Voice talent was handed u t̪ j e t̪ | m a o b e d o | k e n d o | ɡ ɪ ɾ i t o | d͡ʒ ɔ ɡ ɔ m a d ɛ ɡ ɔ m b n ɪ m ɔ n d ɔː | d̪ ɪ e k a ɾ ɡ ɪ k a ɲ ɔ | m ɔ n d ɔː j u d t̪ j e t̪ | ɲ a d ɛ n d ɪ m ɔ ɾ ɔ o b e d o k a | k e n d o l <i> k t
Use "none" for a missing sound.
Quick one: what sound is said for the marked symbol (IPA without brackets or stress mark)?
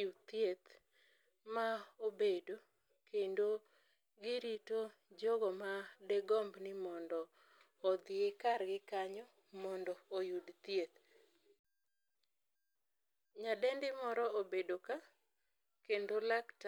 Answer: a